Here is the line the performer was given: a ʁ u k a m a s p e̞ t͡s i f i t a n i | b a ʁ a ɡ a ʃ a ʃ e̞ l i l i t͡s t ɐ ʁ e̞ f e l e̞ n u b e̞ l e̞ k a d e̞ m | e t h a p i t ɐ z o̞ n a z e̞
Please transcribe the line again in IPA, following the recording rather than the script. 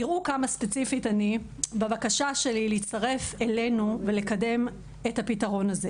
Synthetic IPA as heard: i ʁ u k a m a s p e̞ t͡s i f i t a n i | b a v a k a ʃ a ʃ e̞ l i l i t͡s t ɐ ʁ e̞ f e l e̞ n u v e̞ l e̞ k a d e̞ m | e t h a p i t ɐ ʁ o̞ n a z e̞